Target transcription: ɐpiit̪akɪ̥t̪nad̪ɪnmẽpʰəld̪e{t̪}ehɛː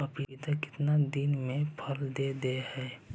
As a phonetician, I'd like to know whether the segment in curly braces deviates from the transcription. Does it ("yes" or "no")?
yes